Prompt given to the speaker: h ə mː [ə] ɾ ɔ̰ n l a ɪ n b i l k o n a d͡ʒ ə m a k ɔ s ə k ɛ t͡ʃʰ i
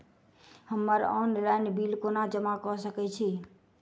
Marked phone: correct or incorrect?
correct